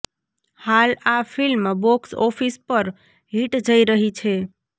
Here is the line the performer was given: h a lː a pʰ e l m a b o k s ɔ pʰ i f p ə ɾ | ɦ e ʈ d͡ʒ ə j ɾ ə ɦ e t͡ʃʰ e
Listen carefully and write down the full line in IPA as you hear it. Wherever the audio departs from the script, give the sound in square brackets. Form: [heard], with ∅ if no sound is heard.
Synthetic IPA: h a [l] a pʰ [i] l m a b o k s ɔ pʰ i [s] p ə ɾ | ɦ [i] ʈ d͡ʒ ə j ɾ ə ɦ [i] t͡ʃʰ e